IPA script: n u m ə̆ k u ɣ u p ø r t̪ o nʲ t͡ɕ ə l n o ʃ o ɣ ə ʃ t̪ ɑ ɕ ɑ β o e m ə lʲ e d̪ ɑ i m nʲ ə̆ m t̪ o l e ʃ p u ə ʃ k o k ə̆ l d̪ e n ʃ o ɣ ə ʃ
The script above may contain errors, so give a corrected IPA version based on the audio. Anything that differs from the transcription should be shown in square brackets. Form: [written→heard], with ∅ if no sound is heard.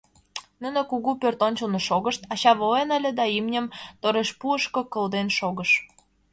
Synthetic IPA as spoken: n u [m→n] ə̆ k u ɣ u p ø r t̪ o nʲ t͡ɕ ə l n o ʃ o ɣ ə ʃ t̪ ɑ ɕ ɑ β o e [m→n] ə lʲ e d̪ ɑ i m nʲ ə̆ m t̪ o [l→ɾ] e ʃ p u ə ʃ k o k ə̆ l d̪ e n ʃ o ɣ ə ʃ